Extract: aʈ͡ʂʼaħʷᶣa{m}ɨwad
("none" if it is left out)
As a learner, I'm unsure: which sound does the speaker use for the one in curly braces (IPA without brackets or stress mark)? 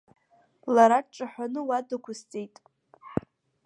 n